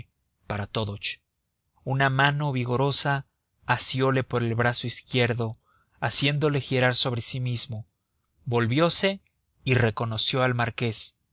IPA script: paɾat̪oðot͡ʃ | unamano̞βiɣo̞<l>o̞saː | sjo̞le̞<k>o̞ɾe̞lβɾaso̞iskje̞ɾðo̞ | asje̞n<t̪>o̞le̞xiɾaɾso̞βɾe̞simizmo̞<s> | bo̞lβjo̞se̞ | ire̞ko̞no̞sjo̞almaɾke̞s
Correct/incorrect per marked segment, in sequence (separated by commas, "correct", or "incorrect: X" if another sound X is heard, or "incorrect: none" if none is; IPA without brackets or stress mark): incorrect: ɾ, incorrect: p, incorrect: d̪, incorrect: none